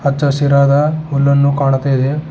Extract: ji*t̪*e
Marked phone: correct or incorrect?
incorrect